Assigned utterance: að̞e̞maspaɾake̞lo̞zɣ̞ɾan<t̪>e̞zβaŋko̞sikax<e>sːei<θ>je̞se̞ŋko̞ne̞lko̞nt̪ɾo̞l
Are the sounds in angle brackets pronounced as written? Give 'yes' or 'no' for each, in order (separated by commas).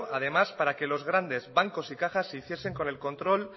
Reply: no, no, yes